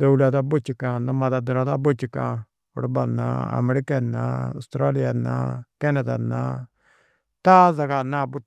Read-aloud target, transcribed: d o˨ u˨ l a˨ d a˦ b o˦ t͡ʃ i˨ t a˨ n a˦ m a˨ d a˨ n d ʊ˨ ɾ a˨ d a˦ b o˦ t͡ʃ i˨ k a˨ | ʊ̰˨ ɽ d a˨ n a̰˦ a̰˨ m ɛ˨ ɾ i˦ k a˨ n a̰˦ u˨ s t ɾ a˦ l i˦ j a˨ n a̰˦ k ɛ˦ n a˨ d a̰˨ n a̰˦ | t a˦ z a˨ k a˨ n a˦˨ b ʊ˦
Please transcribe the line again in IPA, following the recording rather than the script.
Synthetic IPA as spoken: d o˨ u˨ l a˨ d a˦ b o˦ t͡ʃ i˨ k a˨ n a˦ m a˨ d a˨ d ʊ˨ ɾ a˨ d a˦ b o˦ t͡ʃ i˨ k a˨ | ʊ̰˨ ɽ b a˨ n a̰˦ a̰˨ m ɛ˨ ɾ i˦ k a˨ n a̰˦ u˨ s t ɾ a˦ l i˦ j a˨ n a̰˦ k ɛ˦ n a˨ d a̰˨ n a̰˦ | t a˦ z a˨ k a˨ n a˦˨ b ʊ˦